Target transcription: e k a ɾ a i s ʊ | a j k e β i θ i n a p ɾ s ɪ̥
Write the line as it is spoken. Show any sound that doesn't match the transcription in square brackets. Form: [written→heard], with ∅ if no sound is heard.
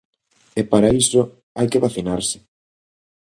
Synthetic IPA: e [k→p] a ɾ a i s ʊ | a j k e β [i→a] θ i n a [p→∅] ɾ s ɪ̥

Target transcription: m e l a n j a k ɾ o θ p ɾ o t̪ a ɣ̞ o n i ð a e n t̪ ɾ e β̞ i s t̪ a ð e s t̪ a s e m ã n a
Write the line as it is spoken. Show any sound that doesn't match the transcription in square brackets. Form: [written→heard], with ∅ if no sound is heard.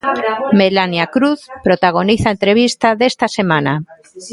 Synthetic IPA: m e l a n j a k ɾ [o→u] θ p ɾ o t̪ a ɣ̞ o n i [ð→θ] a e n t̪ ɾ e β̞ i s t̪ a ð e s t̪ a s e m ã n a

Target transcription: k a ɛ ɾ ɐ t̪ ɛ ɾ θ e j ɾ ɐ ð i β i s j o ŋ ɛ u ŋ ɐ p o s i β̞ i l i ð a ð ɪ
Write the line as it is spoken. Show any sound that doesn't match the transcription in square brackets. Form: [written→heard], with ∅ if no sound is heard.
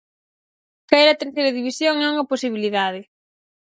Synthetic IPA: k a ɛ ɾ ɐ t̪ [ɛ→e] ɾ θ e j ɾ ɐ ð i β i s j o ŋ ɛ u ŋ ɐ p o s i β̞ i l i ð a ð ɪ

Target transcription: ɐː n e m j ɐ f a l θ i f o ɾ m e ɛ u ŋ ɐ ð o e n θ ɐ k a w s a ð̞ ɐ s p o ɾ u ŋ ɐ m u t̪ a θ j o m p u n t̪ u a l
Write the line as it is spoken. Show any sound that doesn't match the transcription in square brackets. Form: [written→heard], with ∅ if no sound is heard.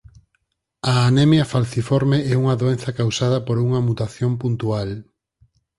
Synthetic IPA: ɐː n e m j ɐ f a l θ i f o ɾ m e ɛ u ŋ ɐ ð o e n θ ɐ k a w s a ð̞ ɐ [s→∅] p o ɾ u ŋ ɐ m u t̪ a θ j o m p u n t̪ u a l

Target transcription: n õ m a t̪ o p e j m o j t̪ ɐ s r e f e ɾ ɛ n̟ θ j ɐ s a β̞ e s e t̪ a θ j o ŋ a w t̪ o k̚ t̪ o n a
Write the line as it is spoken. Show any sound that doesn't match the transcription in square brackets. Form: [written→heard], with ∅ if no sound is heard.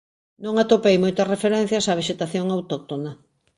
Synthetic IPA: n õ [m→ŋ] a t̪ o p e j m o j t̪ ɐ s r e f e ɾ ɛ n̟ θ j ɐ s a β̞ e [s→ʃ] e t̪ a θ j o ŋ a w t̪ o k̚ t̪ o n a

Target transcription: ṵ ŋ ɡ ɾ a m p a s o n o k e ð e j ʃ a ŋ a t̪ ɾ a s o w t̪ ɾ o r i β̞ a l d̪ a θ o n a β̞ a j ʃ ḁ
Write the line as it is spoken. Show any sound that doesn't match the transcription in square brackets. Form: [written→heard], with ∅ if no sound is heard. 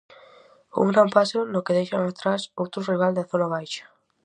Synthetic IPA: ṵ ŋ ɡ ɾ a m p a s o n o k e ð e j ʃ a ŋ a t̪ ɾ a s o w t̪ ɾ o r i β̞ a l d̪ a θ o n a β̞ a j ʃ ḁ

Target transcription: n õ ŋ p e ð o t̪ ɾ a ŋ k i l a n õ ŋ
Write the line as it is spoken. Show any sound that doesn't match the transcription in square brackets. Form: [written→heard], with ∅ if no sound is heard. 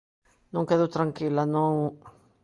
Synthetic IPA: n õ ŋ [p→k] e ð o t̪ ɾ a ŋ k i l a n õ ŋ

